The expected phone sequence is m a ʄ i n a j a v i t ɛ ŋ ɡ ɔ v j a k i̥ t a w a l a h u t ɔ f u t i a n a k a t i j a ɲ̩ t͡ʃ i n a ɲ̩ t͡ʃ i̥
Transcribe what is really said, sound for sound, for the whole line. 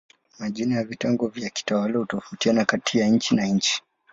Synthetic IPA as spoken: m a ʄ i n a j a v i t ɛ ŋ ɡ ɔ v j a k i̥ t a w a l a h u t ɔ f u t i a n a k a t i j a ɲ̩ t͡ʃ i n a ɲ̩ t͡ʃ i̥